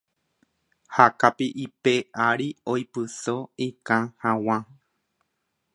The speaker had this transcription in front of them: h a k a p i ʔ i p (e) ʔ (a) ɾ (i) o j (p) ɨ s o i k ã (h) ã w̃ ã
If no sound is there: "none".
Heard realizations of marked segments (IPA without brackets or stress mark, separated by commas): e, a, i, p, h